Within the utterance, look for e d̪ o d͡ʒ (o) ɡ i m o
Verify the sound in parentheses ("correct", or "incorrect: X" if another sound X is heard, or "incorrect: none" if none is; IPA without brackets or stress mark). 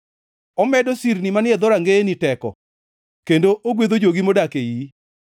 correct